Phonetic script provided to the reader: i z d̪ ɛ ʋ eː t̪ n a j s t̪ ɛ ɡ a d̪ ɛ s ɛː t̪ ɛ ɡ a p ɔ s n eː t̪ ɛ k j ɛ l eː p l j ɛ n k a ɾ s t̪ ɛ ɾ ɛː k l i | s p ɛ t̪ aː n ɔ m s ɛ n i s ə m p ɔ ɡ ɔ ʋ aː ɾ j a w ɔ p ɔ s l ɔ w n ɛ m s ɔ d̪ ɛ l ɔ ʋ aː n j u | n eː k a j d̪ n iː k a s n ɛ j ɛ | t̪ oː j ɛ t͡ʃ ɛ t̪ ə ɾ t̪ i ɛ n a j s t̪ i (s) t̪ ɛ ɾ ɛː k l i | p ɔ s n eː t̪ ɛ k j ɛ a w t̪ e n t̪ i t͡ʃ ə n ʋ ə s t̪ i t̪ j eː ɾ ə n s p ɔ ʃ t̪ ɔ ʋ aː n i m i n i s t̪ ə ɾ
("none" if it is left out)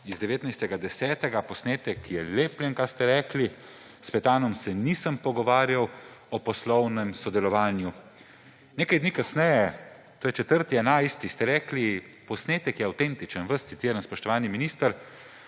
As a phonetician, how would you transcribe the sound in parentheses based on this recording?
s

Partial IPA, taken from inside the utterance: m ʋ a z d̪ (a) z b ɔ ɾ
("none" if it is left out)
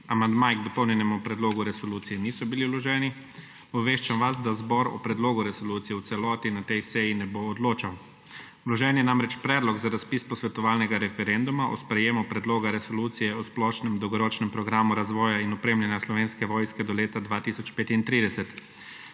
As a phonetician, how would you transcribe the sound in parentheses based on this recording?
a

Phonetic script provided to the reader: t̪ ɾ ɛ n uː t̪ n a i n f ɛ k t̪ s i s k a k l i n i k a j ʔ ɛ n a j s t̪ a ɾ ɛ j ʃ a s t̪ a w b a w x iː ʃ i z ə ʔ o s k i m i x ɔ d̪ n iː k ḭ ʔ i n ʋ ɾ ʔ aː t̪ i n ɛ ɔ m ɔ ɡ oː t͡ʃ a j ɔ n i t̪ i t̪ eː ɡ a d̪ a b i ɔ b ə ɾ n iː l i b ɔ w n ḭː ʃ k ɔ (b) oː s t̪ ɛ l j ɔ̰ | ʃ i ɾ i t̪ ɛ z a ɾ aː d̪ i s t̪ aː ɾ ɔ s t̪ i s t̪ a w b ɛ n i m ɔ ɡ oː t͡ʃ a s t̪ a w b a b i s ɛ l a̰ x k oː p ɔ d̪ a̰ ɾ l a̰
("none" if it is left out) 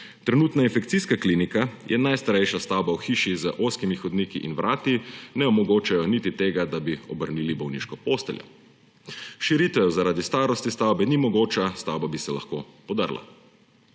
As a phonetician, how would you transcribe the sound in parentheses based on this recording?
p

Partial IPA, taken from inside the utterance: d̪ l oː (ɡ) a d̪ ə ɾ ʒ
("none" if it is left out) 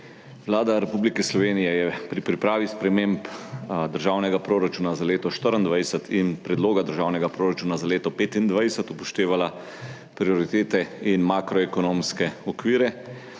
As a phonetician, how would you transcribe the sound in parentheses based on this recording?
ɡ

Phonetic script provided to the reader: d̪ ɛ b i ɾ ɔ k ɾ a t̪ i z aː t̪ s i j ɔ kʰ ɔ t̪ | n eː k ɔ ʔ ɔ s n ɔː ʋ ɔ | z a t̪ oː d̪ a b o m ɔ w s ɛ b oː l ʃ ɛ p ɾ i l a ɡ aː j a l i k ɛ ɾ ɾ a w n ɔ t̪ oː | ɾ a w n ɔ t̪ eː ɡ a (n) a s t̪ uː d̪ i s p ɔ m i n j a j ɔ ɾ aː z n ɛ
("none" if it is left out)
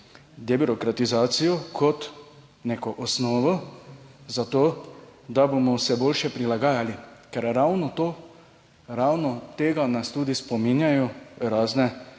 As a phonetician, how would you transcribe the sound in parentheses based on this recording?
n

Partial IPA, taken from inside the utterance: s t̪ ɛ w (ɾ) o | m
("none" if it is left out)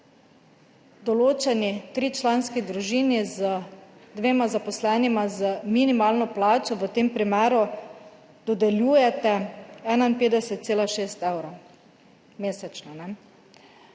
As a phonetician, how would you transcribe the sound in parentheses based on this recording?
ɾ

